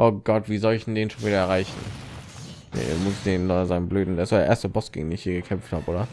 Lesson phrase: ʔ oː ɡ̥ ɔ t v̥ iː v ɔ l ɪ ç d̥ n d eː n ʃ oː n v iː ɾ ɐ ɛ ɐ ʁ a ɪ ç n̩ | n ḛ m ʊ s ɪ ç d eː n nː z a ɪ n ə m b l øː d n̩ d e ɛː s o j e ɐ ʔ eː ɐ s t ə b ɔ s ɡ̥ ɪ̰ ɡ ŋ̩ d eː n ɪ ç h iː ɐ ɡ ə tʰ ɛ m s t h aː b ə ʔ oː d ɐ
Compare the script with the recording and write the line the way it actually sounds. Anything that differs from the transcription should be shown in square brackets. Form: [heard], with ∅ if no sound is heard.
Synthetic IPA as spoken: ʔ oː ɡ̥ ɔ t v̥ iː [z] ɔ l ɪ ç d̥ n d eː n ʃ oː n v iː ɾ ɐ ɛ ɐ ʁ a ɪ ç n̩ | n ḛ m ʊ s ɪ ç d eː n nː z a ɪ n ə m b l øː d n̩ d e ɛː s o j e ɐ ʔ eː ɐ s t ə b ɔ s ɡ̥ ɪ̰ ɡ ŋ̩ d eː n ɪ ç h iː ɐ ɡ ə [kʰ] ɛ m [f] t h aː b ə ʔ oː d ɐ